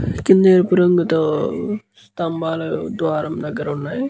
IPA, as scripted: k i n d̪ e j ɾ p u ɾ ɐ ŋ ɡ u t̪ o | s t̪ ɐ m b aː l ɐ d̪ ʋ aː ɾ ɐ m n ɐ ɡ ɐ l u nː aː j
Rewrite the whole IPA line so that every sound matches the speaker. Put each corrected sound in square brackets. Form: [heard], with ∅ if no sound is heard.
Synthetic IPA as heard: k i n d̪ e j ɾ p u ɾ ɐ ŋ ɡ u t̪ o | s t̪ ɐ m b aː l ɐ d̪ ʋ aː ɾ ɐ m n ɐ ɡ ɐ [ɾ] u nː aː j